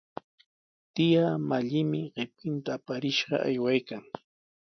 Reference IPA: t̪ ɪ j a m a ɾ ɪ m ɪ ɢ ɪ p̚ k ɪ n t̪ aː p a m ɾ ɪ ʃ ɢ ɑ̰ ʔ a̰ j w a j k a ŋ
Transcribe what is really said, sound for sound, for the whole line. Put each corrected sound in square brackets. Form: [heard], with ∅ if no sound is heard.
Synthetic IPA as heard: t̪ ɪ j a m a [ʎ] ɪ m ɪ ɢ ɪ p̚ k ɪ n t̪ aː p a [∅] ɾ ɪ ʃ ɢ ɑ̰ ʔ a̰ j w a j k a ŋ